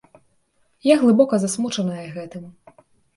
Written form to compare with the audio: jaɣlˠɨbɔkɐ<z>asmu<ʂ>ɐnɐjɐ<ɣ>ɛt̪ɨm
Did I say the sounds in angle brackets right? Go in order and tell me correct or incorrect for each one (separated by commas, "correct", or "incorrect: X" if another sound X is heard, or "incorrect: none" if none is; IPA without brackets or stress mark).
correct, incorrect: t͡ʂ, correct